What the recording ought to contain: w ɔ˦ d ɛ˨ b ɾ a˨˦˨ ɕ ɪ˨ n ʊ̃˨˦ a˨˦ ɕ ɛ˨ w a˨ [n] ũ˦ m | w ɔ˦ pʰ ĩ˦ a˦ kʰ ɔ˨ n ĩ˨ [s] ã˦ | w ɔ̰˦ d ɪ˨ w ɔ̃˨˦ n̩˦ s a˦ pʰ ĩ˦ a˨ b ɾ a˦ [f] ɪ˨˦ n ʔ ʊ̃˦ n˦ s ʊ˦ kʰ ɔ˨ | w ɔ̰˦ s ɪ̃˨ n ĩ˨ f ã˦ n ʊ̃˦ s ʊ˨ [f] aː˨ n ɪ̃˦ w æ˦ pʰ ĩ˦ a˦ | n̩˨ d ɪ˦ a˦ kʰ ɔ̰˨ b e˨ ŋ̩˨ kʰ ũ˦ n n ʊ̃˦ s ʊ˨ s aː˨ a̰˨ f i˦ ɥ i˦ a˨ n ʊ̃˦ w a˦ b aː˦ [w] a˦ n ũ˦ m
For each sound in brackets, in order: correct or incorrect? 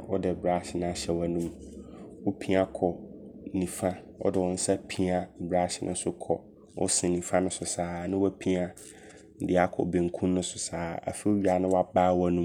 correct, incorrect: f, incorrect: ɕ, incorrect: s, correct

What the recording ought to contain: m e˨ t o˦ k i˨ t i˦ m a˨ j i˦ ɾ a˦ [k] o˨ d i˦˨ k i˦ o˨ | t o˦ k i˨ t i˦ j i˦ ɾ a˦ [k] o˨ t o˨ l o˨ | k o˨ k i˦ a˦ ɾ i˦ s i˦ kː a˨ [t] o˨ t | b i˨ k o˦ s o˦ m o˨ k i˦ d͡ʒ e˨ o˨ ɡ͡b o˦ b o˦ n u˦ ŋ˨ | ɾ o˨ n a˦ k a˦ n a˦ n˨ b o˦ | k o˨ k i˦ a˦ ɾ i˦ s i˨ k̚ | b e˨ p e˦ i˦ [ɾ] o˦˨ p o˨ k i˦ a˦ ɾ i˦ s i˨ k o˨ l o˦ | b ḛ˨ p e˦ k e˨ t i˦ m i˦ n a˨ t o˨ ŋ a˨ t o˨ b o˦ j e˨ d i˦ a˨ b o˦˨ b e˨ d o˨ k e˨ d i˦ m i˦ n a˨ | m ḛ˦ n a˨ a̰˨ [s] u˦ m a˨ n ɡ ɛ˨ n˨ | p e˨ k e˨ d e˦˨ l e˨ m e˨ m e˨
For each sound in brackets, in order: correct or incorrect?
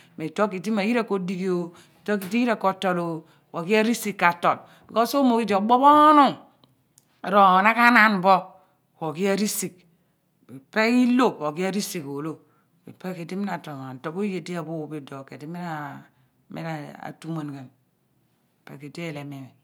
correct, correct, correct, incorrect: l, incorrect: t

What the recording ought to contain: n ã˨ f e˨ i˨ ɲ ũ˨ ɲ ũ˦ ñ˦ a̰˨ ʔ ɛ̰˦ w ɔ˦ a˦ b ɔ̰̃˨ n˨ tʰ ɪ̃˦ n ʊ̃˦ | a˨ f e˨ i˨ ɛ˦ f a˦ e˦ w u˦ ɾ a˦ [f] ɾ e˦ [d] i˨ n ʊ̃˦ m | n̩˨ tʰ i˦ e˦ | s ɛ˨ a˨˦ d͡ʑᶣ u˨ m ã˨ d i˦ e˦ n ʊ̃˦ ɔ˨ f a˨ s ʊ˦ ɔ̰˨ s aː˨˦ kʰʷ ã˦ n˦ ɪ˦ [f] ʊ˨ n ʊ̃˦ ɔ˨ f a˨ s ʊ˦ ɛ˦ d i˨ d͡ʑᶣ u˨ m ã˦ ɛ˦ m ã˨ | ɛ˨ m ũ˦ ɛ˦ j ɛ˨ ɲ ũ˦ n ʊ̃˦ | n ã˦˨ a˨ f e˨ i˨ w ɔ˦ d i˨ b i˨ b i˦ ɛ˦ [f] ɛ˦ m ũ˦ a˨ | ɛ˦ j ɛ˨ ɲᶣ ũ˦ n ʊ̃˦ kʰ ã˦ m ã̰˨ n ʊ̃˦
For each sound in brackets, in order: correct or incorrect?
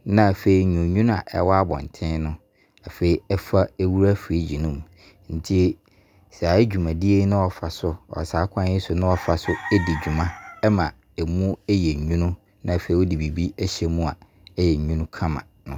correct, incorrect: d͡ʑ, incorrect: s, incorrect: ɕ

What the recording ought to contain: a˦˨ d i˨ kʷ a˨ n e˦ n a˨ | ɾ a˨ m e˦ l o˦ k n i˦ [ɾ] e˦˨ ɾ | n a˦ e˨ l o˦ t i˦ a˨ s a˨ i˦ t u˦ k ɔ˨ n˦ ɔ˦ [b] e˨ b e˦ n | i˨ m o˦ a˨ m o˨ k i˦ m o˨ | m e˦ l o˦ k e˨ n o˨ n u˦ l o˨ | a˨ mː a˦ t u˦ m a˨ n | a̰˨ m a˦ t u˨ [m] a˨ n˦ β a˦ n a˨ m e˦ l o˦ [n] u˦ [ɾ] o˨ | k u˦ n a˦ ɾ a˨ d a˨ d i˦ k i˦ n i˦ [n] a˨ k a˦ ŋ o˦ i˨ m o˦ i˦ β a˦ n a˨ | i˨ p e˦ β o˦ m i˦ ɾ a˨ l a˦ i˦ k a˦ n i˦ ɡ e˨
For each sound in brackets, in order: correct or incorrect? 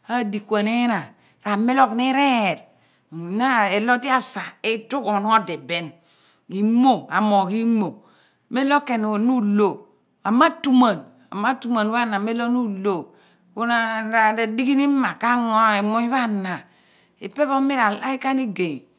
correct, incorrect: d, correct, correct, incorrect: l, incorrect: m

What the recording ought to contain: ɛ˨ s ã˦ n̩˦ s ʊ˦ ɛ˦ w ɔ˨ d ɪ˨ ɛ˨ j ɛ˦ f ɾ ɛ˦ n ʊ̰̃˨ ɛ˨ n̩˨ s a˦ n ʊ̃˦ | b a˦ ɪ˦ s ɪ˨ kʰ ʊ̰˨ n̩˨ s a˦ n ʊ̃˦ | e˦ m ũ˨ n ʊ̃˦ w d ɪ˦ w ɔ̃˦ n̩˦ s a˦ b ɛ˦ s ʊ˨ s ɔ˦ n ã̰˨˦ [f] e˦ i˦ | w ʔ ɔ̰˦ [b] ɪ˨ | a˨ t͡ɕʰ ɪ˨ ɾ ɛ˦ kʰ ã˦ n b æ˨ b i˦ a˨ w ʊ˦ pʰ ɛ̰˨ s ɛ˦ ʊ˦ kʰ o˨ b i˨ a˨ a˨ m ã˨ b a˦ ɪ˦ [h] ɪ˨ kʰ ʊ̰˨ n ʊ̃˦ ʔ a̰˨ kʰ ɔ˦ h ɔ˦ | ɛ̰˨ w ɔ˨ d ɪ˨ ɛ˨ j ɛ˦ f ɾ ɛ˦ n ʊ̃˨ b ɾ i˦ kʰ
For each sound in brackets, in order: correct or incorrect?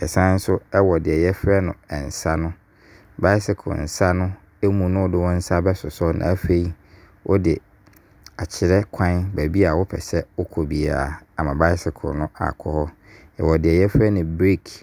correct, incorrect: d, incorrect: s

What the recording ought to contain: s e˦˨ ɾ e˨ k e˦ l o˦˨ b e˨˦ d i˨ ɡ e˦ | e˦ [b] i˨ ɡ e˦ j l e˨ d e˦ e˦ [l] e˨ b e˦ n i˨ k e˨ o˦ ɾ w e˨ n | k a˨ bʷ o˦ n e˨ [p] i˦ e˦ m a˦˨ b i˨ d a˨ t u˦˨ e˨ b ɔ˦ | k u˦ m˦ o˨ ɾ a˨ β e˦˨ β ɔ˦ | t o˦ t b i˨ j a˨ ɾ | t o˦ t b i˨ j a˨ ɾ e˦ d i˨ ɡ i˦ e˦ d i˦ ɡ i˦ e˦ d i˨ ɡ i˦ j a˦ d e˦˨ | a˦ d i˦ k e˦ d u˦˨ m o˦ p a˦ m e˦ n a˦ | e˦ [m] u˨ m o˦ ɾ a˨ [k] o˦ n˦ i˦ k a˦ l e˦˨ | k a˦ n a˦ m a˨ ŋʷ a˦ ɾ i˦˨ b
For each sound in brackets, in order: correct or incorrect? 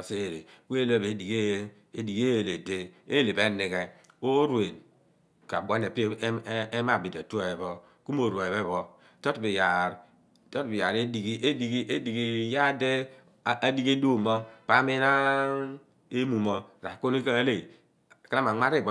incorrect: d, correct, correct, correct, correct

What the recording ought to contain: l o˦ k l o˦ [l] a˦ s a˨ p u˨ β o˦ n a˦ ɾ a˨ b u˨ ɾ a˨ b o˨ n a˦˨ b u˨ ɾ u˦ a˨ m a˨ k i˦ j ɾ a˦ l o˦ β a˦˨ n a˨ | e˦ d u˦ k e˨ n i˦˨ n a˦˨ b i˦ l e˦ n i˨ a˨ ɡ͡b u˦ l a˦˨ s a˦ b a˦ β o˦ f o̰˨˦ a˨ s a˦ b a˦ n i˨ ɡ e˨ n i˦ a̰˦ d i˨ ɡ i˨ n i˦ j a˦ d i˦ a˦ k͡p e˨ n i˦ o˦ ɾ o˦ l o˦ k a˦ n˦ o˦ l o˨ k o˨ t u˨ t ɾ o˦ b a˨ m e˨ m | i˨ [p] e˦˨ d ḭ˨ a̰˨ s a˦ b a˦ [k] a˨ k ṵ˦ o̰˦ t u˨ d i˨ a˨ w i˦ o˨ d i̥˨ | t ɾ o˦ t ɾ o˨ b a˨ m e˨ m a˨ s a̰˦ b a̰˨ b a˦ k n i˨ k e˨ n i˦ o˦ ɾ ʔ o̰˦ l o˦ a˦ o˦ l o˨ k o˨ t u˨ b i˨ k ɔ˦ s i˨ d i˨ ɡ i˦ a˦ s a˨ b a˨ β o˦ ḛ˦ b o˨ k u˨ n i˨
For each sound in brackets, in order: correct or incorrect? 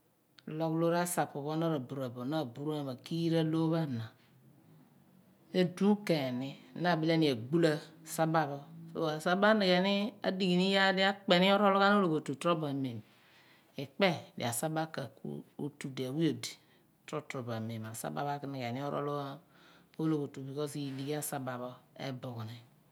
incorrect: ɾ, incorrect: k͡p, correct

